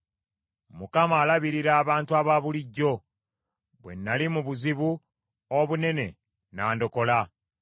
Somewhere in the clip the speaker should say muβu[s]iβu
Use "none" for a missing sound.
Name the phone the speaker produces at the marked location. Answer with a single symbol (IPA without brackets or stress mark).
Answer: z